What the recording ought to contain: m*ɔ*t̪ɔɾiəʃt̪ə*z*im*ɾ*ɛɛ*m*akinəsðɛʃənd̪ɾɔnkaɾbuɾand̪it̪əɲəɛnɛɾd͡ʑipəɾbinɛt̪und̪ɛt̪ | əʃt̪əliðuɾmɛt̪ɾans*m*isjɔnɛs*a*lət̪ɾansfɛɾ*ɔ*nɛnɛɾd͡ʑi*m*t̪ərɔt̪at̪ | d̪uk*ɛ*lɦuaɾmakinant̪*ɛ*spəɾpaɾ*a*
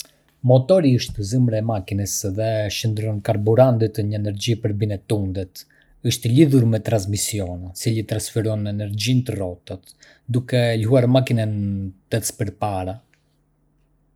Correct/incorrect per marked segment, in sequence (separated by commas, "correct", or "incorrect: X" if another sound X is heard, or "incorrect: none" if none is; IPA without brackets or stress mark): correct, correct, correct, correct, correct, incorrect: i, correct, incorrect: n, correct, correct, correct